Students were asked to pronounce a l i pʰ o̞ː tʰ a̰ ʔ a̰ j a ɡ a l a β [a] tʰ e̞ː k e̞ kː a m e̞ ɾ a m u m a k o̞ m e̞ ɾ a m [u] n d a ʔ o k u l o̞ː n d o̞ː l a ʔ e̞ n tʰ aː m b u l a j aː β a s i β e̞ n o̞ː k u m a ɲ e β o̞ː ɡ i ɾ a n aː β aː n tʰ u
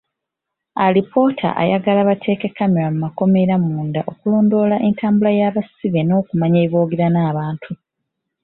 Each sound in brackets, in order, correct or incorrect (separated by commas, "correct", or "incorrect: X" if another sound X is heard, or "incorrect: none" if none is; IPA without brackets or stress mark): correct, incorrect: uː